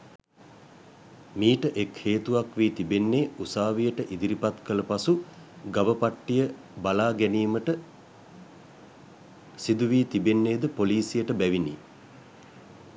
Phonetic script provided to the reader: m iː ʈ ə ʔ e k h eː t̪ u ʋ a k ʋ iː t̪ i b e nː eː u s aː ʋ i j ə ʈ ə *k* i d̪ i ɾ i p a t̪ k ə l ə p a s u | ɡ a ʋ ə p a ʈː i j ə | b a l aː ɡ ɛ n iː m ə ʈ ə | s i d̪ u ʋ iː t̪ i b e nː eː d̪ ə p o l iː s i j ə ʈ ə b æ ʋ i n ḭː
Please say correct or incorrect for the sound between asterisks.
incorrect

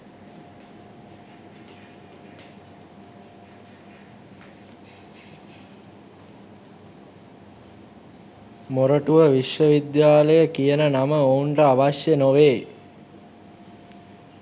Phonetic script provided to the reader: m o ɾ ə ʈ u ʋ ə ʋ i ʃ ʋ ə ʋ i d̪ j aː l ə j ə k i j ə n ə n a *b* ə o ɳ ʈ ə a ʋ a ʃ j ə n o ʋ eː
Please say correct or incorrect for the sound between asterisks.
incorrect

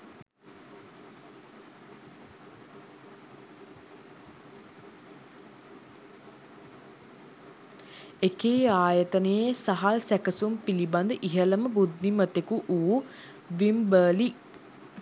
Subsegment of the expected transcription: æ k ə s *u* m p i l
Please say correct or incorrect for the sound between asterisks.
correct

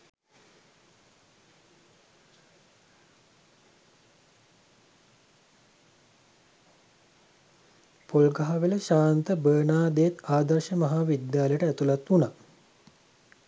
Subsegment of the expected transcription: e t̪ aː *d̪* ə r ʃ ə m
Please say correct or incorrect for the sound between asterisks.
correct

